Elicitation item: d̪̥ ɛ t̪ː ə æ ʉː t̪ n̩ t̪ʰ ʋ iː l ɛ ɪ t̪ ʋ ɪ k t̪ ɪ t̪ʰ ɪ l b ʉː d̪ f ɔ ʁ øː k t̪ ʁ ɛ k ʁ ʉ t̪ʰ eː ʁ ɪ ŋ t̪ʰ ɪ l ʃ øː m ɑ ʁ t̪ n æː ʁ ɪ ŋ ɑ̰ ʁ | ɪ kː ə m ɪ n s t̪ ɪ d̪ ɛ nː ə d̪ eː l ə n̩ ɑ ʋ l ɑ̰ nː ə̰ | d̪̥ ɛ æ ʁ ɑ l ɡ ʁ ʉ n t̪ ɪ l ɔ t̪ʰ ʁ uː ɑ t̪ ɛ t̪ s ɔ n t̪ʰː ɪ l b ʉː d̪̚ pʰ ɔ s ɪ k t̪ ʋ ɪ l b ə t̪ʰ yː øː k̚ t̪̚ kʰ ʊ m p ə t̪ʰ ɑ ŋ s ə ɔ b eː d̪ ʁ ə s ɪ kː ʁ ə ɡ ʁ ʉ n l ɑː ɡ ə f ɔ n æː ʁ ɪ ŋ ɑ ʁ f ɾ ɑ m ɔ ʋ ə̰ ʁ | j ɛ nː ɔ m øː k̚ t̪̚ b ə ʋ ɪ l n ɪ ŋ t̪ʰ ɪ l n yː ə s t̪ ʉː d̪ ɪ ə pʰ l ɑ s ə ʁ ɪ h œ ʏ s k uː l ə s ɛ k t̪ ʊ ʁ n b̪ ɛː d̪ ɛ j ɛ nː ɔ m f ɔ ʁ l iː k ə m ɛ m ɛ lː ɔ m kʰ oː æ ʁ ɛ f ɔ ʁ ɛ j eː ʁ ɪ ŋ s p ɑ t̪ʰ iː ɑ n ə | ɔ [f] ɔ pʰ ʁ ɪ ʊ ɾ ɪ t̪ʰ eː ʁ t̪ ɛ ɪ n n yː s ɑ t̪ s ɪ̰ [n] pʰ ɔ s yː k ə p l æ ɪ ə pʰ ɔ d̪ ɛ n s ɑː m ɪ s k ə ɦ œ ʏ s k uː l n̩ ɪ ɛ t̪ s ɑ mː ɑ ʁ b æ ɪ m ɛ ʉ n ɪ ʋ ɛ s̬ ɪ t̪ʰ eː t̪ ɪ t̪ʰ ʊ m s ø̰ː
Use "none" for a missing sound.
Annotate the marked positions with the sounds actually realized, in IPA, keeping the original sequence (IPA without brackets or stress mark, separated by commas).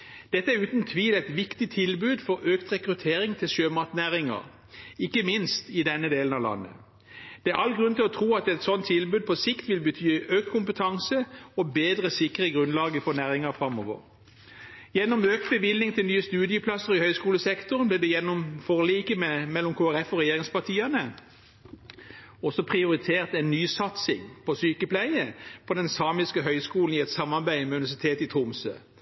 s, ŋ